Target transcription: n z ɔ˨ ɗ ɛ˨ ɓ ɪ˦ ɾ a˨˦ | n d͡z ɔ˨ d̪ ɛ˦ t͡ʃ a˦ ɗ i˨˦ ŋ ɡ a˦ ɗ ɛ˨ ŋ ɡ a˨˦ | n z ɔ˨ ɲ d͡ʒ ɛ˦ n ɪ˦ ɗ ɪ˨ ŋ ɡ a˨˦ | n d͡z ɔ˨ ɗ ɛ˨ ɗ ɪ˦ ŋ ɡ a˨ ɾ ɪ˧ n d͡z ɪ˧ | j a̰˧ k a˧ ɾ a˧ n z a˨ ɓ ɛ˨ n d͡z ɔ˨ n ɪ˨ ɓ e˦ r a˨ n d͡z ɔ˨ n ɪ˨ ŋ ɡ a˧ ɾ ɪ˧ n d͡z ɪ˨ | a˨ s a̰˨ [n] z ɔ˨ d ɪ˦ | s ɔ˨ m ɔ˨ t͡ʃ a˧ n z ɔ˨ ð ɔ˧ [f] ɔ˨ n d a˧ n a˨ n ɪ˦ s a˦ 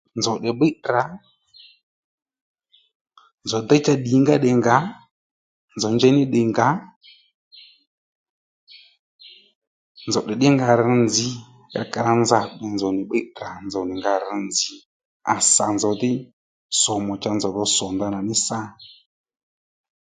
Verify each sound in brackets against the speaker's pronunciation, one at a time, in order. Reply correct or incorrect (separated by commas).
correct, incorrect